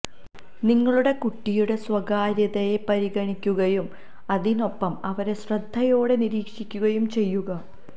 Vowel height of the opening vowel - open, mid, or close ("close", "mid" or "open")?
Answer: close